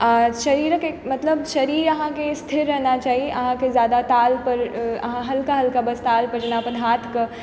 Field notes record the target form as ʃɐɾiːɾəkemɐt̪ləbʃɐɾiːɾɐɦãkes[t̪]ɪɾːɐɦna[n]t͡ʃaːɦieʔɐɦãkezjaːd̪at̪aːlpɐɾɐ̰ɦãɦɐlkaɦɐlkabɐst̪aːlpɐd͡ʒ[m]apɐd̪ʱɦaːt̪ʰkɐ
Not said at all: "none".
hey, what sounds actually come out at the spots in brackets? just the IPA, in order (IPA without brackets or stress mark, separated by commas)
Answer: t̪ʰ, none, n